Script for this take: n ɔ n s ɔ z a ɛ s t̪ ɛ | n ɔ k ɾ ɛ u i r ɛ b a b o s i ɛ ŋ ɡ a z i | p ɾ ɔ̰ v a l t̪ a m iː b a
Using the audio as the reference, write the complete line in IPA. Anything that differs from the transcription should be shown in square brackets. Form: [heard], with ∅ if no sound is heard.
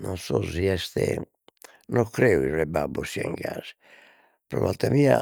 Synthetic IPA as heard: n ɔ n s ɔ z [i] ɛ s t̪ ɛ | n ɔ k ɾ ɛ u i r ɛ b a b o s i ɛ ŋ ɡ a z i | p ɾ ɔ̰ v a l t̪ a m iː [∅] a